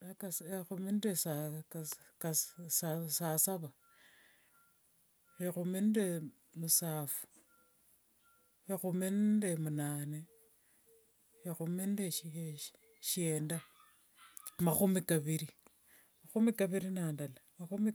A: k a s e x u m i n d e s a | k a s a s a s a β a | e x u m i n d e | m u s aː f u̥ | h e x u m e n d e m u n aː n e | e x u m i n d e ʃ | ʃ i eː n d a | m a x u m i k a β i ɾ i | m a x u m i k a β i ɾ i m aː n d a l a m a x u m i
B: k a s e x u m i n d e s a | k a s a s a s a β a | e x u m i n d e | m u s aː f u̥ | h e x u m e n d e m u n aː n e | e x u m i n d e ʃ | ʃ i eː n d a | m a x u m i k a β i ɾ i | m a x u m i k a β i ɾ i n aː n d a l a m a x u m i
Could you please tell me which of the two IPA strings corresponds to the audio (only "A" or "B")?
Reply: B